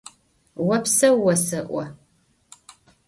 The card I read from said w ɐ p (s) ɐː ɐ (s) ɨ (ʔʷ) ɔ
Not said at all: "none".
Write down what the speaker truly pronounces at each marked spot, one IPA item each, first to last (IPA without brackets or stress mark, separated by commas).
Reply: s, s, ʔʷ